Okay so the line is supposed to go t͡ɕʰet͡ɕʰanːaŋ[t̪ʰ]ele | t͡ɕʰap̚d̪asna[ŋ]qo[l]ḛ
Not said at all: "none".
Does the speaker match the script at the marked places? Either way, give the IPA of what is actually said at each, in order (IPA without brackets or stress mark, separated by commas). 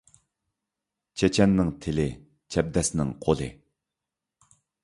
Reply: t̪ʰ, ŋ, l